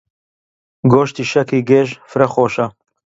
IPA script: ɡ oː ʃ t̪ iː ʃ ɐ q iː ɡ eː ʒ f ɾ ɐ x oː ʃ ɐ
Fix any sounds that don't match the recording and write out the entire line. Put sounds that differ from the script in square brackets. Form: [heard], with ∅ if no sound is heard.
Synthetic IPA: ɡ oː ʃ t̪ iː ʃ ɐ [k] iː ɡ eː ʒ f ɾ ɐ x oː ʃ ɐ